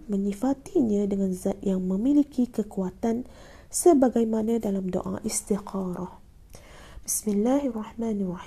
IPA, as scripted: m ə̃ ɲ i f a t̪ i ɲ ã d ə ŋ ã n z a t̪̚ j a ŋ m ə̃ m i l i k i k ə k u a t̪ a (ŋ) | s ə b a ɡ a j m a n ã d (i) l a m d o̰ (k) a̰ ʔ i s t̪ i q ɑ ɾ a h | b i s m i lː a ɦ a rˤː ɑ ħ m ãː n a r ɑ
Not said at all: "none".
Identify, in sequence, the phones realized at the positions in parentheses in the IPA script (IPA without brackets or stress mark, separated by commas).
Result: n, a, ʔ